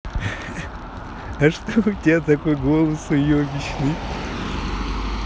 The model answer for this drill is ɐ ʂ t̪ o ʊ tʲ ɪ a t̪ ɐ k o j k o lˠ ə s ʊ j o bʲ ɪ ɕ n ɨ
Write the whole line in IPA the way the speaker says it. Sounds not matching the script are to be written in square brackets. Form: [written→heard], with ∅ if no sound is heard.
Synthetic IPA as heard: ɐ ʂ t̪ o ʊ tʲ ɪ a t̪ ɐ k o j [k→ɡ] o lˠ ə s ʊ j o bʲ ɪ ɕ n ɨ